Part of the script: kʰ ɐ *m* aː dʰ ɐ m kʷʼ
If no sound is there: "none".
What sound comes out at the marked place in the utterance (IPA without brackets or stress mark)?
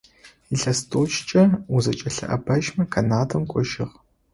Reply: n